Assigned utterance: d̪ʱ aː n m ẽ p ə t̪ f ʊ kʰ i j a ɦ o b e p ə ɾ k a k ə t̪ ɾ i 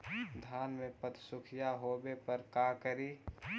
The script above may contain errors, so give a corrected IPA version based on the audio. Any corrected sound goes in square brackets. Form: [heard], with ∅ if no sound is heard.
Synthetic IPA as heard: d̪ʱ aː n m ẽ p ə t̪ [s] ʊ kʰ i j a ɦ o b e p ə ɾ k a k ə [∅] ɾ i